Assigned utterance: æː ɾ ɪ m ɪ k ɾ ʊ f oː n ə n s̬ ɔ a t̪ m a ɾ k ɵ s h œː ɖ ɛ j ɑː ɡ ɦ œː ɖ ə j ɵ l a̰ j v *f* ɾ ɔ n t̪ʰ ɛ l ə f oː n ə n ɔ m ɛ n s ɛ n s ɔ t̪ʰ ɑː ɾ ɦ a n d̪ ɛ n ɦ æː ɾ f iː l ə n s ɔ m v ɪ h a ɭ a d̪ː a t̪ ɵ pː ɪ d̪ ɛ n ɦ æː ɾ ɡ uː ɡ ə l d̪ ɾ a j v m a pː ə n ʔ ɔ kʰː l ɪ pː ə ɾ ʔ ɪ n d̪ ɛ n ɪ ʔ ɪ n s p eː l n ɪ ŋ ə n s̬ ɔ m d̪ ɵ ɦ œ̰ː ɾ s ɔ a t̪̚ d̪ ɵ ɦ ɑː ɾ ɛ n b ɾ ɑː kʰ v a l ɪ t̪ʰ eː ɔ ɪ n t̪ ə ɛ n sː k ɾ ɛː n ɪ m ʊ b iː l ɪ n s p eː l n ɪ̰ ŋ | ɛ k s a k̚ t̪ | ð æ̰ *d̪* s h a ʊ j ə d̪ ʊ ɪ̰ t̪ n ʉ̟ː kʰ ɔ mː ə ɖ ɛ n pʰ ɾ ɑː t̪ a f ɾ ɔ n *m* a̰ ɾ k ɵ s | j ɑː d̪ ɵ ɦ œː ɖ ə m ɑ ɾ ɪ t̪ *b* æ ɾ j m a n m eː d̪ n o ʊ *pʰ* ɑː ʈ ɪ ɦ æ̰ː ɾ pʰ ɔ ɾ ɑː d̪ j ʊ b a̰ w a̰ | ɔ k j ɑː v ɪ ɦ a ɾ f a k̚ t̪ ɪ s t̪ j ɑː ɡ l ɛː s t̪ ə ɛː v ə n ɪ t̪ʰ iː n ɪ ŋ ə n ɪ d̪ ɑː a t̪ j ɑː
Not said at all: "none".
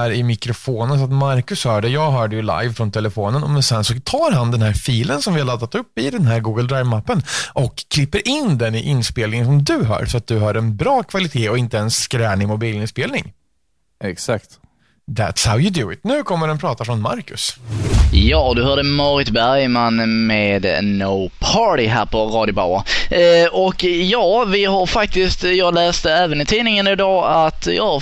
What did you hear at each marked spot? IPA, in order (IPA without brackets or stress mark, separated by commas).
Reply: f, t̪, m, b, pʰ